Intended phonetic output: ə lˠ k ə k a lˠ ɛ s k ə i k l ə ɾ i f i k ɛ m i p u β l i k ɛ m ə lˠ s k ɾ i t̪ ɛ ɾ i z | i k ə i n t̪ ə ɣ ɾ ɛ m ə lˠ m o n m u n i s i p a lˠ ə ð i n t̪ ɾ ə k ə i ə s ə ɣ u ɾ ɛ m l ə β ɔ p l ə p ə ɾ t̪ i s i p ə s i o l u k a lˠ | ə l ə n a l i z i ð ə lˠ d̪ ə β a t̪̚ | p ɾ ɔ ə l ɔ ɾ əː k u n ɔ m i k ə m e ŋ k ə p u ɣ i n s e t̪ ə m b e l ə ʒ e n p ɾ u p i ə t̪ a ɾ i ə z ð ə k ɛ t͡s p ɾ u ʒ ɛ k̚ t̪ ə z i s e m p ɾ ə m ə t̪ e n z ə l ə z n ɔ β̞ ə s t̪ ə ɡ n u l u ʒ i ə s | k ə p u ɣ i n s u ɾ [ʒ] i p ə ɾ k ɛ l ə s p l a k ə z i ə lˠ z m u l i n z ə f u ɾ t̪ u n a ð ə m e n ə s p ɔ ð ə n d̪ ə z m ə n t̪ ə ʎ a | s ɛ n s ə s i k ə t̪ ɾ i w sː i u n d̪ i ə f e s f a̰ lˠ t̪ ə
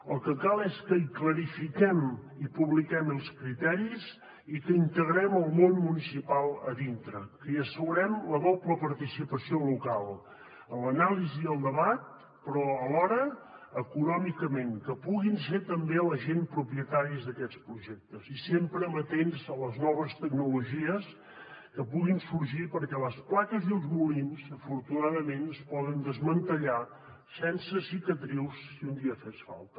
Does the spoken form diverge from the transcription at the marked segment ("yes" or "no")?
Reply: no